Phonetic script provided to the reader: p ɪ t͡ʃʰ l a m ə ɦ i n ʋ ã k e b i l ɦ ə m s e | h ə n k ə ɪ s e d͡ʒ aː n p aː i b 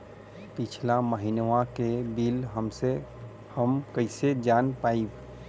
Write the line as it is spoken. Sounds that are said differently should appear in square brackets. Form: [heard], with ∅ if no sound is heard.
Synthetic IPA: p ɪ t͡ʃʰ l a m ə ɦ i n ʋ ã k e b i l ɦ ə m s e | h ə [m] k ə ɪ s e d͡ʒ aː n p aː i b